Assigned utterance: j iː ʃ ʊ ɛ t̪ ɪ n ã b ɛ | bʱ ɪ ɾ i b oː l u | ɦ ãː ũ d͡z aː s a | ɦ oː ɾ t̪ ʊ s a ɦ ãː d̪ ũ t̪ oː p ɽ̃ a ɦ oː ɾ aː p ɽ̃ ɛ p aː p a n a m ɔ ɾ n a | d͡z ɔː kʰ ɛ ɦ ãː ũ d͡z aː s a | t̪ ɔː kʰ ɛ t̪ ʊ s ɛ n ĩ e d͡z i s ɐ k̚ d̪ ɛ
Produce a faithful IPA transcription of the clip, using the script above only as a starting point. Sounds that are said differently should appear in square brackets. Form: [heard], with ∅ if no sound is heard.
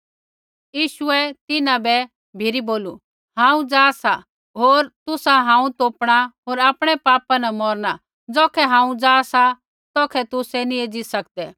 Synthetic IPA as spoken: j iː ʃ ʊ ɛ t̪ ɪ n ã b ɛ | bʱ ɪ ɾ i b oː l u | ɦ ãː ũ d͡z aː s a | ɦ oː ɾ t̪ ʊ s a ɦ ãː [∅] ũ t̪ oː p ɽ̃ a ɦ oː ɾ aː p ɽ̃ ɛ p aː p a n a m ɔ ɾ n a | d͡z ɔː kʰ ɛ ɦ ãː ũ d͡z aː s a | t̪ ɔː kʰ ɛ t̪ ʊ s ɛ n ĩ e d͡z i s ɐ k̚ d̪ ɛ